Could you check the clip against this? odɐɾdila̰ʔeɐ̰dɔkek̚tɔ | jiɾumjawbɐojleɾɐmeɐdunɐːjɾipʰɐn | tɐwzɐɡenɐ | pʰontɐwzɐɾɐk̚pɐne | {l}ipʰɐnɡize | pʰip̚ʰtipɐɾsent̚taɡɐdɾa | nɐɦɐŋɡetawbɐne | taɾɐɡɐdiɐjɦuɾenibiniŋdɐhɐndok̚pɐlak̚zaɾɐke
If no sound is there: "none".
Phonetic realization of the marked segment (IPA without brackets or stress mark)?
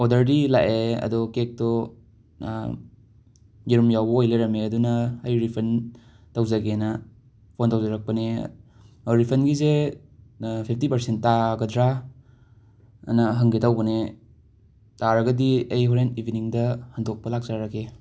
ɾ